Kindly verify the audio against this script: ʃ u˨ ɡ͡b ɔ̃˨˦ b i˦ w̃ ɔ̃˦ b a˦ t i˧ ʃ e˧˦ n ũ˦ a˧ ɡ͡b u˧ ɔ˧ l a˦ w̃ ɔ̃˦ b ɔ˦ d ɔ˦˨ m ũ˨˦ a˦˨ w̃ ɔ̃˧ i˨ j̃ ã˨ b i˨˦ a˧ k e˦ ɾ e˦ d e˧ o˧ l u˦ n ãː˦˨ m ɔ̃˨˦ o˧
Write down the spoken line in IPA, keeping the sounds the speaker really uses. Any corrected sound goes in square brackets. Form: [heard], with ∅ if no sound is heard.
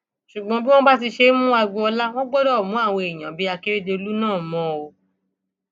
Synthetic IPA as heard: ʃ u˨ ɡ͡b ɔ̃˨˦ b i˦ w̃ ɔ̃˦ b a˦ t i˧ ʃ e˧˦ [m] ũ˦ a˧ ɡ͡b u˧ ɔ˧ l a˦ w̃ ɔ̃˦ [ɡ͡b] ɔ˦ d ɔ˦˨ m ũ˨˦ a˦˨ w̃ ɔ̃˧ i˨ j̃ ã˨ b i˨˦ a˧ k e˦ ɾ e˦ d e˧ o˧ l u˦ n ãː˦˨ m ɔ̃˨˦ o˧